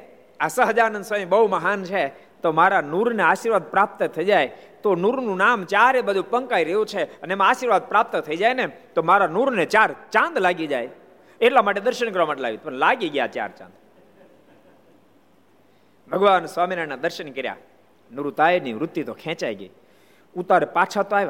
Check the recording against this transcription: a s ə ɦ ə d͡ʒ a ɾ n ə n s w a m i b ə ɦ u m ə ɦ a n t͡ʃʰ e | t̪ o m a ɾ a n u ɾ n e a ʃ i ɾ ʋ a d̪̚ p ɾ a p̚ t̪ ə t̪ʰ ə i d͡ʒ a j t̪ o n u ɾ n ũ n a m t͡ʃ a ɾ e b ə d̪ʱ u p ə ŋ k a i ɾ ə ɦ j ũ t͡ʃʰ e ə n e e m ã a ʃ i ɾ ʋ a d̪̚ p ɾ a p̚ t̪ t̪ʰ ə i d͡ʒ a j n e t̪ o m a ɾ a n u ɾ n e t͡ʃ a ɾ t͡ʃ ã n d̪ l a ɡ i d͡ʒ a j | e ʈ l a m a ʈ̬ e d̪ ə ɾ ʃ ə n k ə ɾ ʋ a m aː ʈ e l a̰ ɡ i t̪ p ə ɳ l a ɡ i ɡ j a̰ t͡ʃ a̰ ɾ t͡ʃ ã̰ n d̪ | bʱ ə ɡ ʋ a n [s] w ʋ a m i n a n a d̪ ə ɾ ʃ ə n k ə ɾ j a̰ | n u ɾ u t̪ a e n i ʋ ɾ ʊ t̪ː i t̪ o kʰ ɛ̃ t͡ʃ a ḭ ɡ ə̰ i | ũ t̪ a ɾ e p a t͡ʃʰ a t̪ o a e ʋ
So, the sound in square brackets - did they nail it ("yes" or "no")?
yes